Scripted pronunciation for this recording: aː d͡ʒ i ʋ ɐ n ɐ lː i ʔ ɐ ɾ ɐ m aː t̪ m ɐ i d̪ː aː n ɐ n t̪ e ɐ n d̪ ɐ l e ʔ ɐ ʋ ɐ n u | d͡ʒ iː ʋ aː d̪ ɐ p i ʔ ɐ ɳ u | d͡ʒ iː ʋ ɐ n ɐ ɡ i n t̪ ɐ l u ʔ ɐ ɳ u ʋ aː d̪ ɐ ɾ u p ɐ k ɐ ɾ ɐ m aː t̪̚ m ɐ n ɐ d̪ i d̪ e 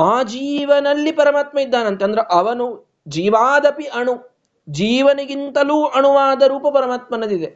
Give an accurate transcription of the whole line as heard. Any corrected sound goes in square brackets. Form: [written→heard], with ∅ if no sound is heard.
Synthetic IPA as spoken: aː d͡ʒ [i→iː] ʋ ɐ n ɐ lː i [ʔ→p] ɐ ɾ ɐ m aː t̪ m ɐ i d̪ː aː n ɐ n t̪ e ɐ n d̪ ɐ [l→ɾ] e ʔ ɐ ʋ ɐ n u | d͡ʒ iː ʋ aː d̪ ɐ p i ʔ ɐ ɳ u | d͡ʒ iː ʋ ɐ n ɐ ɡ i n t̪ ɐ l [u→uː] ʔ ɐ ɳ u ʋ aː d̪ ɐ ɾ [u→uː] p ɐ [k→p] ɐ ɾ ɐ m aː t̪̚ m ɐ n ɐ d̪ i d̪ e